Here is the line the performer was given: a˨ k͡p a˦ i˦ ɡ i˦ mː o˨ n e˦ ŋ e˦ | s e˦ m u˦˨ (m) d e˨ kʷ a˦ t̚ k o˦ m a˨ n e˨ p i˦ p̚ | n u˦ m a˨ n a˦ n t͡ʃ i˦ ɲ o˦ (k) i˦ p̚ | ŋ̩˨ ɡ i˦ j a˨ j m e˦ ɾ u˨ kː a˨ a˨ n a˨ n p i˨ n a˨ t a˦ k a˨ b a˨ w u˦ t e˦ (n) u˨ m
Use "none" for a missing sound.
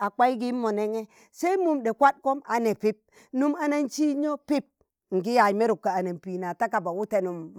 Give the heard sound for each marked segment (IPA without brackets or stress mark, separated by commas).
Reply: m, p, n